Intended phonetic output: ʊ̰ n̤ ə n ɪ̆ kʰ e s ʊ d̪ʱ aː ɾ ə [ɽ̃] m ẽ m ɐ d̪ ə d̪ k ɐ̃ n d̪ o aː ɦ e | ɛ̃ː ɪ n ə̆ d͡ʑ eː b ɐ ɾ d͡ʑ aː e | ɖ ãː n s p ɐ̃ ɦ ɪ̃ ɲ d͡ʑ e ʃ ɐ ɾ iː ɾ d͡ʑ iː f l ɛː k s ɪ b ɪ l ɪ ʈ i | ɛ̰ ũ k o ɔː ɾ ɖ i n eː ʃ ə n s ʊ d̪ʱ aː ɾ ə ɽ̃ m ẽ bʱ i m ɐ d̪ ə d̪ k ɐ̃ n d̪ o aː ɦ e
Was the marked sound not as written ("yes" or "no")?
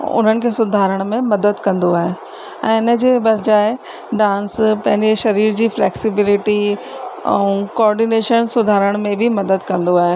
no